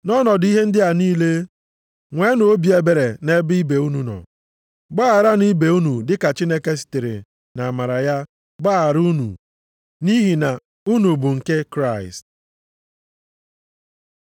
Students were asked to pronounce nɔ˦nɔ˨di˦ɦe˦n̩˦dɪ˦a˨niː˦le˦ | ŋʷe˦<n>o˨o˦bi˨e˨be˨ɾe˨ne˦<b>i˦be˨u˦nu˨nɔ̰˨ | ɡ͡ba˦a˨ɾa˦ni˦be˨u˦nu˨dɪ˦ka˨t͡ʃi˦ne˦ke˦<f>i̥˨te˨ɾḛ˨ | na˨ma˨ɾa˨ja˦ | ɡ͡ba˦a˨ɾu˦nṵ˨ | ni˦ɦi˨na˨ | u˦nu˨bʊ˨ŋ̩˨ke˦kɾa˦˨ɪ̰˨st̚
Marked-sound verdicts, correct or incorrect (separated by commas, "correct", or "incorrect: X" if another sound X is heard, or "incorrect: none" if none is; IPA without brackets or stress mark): correct, correct, incorrect: s